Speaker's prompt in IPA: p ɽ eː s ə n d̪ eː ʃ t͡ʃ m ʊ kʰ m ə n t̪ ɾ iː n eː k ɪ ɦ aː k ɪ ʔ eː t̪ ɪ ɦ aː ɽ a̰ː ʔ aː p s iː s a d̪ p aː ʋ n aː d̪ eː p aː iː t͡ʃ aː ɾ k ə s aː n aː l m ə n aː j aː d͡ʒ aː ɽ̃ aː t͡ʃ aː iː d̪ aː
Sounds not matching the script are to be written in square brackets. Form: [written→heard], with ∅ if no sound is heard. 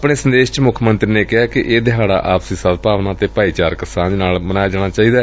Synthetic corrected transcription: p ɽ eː s ə n d̪ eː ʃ t͡ʃ m ʊ kʰ m ə n t̪ ɾ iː n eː k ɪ ɦ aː k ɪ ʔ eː [t̪→d̪] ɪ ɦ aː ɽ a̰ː ʔ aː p s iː s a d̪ p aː ʋ n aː [d̪→t̪] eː p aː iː t͡ʃ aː ɾ k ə s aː n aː l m ə n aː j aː d͡ʒ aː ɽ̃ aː t͡ʃ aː iː d̪ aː